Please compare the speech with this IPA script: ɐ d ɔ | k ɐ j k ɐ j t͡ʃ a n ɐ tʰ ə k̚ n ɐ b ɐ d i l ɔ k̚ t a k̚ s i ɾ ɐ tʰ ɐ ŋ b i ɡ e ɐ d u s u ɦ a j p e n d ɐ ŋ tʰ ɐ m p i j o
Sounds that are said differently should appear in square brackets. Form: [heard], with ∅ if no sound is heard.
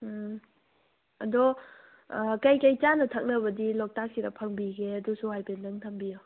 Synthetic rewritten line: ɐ d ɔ | k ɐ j k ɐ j t͡ʃ a n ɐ tʰ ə k̚ n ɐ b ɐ d i l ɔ k̚ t a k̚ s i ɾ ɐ [pʰ] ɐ ŋ b i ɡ e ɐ d u s u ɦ a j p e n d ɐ ŋ tʰ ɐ m [b] i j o